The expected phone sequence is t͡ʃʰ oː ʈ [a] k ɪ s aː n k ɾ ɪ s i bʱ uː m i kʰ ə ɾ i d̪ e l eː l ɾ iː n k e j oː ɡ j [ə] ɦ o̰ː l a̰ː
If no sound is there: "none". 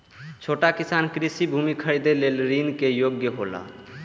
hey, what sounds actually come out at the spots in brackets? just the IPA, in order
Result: a, ə

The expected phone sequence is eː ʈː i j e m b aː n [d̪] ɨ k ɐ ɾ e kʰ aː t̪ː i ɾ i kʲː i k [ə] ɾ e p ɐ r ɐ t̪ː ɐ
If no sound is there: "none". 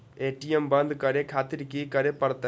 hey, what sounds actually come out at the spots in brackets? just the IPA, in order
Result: d̪, ɐ

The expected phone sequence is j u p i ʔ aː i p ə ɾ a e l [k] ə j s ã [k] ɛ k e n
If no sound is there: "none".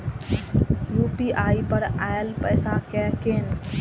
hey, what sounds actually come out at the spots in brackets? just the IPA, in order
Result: p, k

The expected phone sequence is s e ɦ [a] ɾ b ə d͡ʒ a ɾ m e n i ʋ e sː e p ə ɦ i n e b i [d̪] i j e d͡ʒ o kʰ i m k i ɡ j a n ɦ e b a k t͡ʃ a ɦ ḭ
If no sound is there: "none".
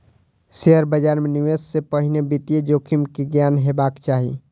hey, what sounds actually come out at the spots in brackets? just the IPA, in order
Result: ə, t̪

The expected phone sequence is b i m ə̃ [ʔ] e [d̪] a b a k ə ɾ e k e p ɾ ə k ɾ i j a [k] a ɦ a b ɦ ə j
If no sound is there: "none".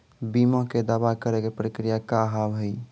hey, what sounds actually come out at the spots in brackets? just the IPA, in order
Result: k, d̪, k

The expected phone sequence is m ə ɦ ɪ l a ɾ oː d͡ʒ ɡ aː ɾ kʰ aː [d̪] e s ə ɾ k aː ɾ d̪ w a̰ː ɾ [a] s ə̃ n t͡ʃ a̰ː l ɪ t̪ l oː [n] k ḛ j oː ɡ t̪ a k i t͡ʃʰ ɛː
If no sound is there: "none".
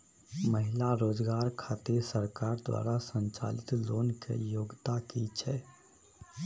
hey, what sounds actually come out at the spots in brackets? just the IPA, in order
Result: t̪, a, n

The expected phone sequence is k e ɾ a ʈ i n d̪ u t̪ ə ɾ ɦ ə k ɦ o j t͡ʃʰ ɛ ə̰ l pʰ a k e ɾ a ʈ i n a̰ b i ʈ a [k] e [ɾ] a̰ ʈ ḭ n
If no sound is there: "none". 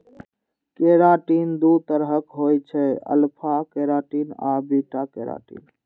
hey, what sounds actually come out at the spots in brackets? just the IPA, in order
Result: k, ɾ

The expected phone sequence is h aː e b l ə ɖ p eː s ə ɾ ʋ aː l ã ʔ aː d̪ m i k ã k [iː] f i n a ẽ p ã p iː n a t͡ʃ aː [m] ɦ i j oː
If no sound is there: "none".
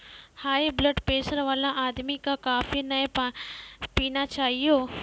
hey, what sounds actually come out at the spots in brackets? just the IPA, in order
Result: aː, none

